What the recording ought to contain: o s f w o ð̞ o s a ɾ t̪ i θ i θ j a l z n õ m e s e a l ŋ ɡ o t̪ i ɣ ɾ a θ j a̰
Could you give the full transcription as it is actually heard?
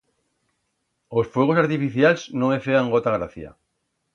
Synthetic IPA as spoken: o s f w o ɣ̞ o s a ɾ t̪ i f i θ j a l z n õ ŋ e f e a ŋ ɡ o t̪ a ɣ ɾ a θ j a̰